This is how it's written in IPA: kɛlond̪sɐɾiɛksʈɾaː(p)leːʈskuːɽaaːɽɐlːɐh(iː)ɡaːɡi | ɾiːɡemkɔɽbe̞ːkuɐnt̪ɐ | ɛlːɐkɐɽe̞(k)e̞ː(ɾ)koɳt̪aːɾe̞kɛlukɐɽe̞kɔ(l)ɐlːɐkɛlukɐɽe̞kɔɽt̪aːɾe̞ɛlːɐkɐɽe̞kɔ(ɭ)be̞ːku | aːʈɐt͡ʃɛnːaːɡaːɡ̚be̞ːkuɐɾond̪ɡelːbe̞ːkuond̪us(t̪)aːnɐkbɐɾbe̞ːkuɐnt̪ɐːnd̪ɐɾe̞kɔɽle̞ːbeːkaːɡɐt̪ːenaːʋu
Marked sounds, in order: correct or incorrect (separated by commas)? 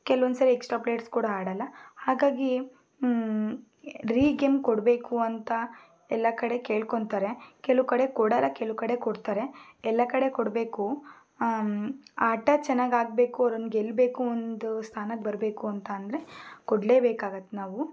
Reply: correct, incorrect, correct, incorrect, incorrect, incorrect, incorrect